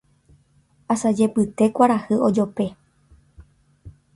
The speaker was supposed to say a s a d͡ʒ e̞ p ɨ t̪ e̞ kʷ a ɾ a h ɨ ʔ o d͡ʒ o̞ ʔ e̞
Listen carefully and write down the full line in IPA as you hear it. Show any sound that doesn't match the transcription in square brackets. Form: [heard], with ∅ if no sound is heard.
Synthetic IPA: a s a d͡ʒ e̞ p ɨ t̪ e̞ kʷ a ɾ a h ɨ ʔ o d͡ʒ o̞ [p] e̞